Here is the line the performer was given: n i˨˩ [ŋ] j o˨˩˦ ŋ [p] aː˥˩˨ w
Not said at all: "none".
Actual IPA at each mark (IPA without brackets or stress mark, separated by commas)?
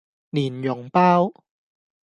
n, p